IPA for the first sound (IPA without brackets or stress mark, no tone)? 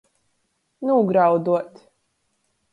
n